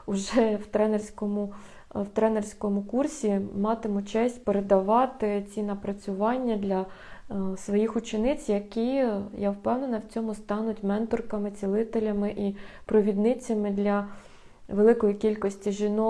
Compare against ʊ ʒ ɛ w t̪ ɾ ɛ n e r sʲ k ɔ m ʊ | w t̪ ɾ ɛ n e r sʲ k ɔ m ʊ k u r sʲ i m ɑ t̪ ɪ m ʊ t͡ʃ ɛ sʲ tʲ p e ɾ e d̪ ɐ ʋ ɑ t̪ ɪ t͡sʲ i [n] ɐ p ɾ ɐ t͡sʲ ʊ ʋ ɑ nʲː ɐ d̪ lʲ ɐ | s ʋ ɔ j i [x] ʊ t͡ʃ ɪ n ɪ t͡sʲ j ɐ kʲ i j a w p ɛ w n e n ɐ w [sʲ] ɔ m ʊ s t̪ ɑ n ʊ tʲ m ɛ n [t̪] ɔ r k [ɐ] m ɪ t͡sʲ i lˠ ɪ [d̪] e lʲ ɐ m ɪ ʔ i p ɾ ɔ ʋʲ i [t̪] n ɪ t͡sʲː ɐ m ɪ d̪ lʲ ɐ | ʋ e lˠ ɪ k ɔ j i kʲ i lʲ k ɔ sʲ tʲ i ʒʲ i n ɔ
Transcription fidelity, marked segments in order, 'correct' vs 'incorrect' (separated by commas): correct, correct, incorrect, correct, correct, incorrect, incorrect